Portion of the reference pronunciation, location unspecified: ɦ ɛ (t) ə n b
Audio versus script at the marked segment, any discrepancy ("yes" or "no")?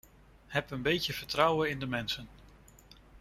yes